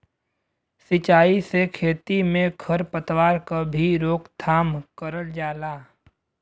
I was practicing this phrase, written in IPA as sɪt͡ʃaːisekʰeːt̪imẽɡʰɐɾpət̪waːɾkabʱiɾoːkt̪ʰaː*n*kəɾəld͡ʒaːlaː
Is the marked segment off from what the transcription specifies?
yes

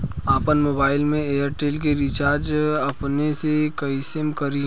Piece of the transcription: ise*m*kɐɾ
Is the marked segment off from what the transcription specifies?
no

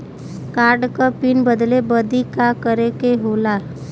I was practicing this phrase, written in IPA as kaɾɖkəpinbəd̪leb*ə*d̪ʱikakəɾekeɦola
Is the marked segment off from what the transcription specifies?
no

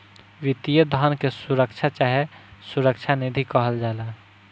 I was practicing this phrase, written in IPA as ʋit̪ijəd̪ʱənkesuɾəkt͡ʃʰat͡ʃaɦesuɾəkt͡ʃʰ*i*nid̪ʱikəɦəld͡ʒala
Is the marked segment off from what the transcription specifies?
yes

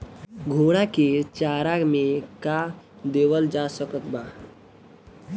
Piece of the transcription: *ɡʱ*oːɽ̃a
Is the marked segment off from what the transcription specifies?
no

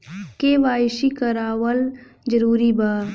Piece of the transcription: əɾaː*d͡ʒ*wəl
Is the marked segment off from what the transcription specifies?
yes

